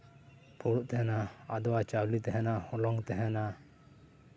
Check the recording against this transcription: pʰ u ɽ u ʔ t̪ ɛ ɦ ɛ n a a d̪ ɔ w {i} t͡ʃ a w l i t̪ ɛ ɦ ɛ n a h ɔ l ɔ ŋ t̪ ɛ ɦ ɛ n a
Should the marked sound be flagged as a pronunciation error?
yes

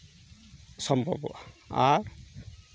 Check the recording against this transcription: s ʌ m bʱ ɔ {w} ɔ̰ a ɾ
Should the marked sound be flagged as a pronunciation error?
yes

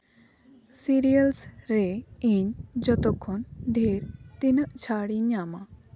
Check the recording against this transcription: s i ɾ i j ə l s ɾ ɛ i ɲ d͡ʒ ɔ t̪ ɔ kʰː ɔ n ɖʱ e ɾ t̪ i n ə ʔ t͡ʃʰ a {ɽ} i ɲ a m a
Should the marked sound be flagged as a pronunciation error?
no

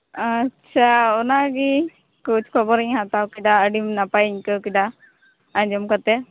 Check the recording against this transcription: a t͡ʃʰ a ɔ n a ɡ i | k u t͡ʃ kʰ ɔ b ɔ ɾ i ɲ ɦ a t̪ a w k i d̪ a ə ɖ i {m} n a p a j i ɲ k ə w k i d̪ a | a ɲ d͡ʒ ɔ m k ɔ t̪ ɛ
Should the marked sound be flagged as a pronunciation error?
no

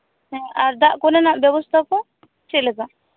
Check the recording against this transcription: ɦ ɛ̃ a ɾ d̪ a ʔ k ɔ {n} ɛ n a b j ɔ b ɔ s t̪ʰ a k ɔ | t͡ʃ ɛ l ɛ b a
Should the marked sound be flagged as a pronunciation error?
no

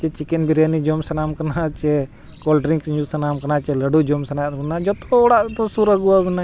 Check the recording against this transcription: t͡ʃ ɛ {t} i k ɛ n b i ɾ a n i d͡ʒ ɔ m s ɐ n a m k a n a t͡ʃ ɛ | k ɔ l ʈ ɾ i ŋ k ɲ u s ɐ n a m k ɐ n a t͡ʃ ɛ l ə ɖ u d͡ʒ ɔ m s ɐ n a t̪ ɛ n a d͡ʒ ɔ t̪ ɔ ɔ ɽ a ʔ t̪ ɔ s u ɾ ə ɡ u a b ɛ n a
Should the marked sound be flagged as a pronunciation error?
yes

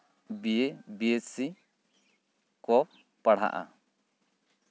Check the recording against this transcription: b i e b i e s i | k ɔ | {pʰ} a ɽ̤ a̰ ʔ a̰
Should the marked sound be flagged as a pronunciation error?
yes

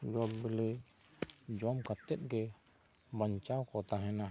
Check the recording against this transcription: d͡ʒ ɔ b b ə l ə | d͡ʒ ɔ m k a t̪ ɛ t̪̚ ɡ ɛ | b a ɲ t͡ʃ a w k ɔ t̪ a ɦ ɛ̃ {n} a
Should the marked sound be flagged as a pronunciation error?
no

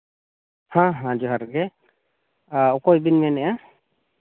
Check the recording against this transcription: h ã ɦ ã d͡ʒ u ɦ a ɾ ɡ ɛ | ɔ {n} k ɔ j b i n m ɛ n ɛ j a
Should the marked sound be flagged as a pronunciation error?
yes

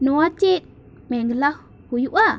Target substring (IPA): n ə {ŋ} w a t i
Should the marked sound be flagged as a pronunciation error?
yes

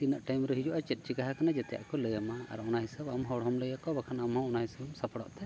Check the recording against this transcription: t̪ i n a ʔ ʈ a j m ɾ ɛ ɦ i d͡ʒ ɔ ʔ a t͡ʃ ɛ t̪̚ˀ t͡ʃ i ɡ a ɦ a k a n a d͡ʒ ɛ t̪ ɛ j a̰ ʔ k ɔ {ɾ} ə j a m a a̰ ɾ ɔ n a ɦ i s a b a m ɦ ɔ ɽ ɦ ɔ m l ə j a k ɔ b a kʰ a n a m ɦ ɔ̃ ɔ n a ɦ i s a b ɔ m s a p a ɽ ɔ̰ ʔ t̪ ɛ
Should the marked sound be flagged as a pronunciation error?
yes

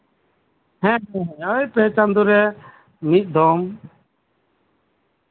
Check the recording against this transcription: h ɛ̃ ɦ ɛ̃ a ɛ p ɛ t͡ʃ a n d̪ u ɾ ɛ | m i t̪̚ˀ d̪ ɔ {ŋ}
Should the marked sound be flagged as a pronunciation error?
yes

